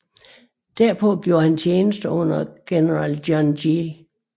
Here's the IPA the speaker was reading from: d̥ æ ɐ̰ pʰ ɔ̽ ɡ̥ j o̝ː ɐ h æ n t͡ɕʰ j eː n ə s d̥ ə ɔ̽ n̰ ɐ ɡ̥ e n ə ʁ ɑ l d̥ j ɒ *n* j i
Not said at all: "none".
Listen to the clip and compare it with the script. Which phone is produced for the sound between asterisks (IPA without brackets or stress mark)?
n